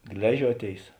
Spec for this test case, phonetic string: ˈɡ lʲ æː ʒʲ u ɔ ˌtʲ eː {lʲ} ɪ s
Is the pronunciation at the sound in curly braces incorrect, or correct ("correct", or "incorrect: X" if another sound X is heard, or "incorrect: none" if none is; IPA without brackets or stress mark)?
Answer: incorrect: none